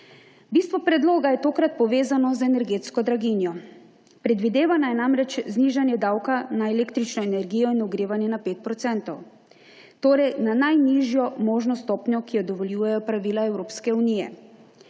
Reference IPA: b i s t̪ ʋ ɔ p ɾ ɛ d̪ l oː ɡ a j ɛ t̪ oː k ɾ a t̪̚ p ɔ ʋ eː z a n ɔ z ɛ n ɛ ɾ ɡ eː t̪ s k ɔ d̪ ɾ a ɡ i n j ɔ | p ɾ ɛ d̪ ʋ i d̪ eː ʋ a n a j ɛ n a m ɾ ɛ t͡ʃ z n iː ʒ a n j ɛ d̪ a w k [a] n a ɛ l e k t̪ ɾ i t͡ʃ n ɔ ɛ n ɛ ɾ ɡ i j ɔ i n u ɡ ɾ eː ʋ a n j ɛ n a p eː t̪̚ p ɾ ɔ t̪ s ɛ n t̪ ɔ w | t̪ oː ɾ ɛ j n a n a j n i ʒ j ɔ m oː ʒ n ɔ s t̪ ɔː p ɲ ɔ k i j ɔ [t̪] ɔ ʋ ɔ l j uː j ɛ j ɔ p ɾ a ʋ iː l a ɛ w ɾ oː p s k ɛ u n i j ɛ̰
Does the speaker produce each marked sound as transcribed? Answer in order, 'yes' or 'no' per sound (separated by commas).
yes, no